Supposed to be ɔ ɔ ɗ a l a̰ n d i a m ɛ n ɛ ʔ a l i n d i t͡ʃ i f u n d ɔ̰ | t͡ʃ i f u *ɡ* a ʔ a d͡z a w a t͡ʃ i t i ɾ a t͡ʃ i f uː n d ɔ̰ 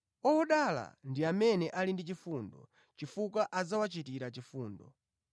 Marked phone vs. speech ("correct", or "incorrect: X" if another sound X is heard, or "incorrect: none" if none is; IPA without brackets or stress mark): incorrect: k